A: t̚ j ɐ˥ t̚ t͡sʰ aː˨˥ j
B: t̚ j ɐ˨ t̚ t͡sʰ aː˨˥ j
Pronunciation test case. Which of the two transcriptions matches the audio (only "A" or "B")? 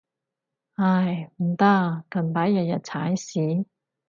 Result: B